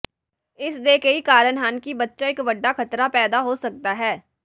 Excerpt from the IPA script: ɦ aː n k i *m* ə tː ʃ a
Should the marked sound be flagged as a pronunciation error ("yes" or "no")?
yes